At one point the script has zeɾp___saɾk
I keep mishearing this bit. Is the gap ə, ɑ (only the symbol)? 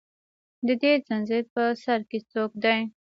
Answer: ə